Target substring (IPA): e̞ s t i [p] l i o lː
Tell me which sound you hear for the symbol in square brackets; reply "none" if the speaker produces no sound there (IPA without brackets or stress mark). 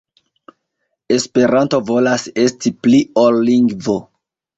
p